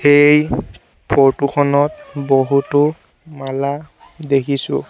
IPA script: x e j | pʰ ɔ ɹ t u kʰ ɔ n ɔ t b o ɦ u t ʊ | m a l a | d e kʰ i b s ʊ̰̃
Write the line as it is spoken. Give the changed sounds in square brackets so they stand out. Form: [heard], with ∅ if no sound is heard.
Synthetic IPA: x e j | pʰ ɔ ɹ t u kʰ ɔ n ɔ t b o ɦ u t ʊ | m a l a | d e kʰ i [∅] s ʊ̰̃